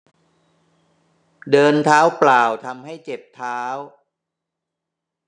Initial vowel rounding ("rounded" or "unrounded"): unrounded